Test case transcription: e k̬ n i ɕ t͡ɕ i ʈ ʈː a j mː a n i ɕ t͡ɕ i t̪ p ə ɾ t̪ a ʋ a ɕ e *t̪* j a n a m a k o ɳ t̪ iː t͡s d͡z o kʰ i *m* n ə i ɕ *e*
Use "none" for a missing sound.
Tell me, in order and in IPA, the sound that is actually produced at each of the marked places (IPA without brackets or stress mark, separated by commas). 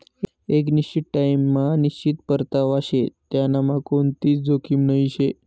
t̪, m, e